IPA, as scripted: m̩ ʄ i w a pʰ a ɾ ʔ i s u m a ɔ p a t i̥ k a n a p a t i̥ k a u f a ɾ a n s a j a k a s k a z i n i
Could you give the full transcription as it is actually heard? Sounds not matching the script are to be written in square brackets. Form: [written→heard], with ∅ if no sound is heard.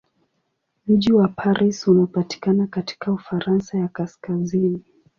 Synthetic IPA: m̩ ʄ i w a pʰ a ɾ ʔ i s u [m→n] a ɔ p a t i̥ k a n a [p→k] a t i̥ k a u f a ɾ a n s a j a k a s k a z i n i